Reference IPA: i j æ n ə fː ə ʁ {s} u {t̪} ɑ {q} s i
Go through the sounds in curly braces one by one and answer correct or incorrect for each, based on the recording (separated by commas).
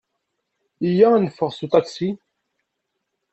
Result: correct, correct, incorrect